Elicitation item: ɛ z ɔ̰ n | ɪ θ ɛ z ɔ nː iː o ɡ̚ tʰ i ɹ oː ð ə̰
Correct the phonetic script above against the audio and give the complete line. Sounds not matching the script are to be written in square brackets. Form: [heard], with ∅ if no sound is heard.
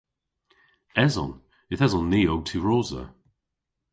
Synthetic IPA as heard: ɛ z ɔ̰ n | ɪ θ ɛ z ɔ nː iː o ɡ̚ tʰ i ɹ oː [z] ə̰